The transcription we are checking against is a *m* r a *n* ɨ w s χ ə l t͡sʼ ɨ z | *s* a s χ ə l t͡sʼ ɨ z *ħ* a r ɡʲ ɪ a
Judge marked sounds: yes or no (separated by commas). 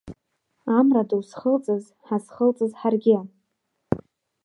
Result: yes, no, no, yes